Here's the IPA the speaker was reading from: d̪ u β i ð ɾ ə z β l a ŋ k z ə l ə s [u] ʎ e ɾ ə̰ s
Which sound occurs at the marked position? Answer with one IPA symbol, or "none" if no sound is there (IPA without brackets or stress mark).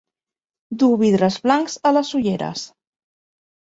u